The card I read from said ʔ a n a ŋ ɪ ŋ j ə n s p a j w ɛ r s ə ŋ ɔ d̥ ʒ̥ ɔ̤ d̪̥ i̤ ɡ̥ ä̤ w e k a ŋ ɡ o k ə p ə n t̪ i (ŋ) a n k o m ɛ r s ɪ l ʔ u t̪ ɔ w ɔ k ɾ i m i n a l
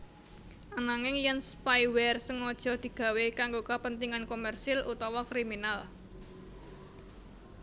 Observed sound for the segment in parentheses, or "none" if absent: ŋ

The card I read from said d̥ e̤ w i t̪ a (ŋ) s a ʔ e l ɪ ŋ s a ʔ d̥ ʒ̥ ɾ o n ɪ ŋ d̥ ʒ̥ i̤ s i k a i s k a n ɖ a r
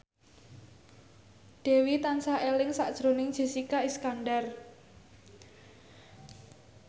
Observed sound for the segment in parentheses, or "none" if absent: n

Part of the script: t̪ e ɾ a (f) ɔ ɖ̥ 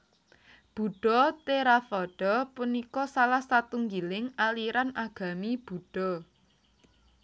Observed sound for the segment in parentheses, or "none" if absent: f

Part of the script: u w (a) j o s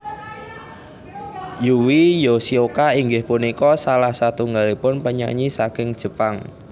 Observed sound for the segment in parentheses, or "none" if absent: i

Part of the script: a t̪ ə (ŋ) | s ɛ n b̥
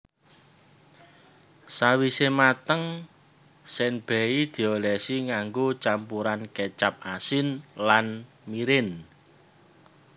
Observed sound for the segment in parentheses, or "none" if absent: ŋ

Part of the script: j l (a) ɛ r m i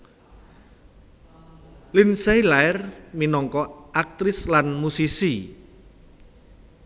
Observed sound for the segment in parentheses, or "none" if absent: a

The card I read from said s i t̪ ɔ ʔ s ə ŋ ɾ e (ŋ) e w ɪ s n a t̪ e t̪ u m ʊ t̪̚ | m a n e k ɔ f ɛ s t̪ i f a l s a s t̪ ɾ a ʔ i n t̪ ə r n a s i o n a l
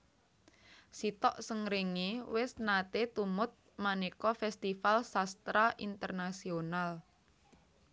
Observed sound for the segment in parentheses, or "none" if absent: ŋ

